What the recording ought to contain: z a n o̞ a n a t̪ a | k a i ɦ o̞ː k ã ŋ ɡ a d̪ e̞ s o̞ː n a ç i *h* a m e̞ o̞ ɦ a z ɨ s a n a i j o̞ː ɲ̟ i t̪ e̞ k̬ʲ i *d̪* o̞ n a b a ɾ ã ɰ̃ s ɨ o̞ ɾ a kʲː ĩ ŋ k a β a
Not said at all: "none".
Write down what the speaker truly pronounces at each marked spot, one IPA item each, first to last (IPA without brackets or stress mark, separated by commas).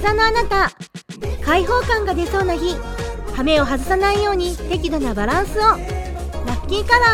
h, d̪